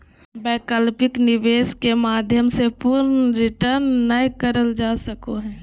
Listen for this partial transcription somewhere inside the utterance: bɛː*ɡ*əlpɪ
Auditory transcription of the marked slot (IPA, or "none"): k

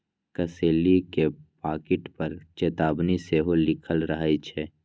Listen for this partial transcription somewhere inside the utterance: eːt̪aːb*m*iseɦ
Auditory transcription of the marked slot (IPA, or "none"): n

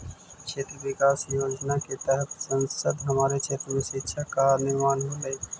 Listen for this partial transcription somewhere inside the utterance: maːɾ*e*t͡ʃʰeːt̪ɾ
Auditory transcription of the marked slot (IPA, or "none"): e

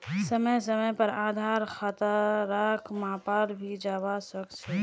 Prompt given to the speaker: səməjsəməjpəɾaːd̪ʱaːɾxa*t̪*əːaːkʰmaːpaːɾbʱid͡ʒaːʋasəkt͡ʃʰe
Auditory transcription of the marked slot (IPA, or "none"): t̪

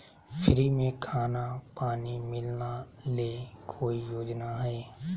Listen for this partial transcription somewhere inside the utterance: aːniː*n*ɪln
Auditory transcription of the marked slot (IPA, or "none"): m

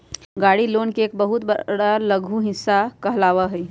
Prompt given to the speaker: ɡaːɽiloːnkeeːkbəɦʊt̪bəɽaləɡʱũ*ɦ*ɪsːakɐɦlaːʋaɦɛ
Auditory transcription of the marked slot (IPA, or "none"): ɦ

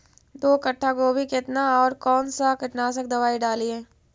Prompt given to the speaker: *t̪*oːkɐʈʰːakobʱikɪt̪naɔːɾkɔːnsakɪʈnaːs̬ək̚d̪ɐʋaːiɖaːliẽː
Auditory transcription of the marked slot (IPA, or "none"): d̪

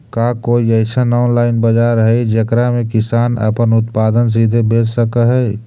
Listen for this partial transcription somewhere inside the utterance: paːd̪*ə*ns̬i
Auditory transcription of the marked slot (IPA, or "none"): ə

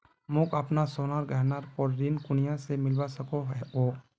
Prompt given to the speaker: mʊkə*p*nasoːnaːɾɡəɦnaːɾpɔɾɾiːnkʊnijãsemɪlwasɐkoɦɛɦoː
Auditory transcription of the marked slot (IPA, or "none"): p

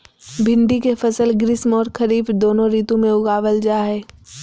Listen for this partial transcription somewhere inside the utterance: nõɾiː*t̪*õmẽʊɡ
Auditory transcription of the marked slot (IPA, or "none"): t̪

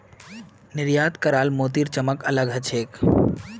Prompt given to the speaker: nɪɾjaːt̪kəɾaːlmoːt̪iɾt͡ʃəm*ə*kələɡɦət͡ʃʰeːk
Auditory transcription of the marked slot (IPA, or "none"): ə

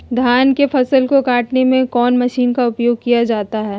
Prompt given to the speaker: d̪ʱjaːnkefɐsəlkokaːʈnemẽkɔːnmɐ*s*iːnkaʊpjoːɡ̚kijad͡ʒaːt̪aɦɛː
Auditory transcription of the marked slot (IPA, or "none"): ʃ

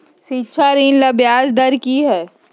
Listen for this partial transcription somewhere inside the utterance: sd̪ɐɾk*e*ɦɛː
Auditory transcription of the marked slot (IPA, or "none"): i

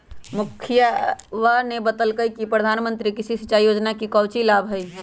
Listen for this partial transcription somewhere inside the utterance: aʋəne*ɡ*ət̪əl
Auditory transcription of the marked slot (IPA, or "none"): b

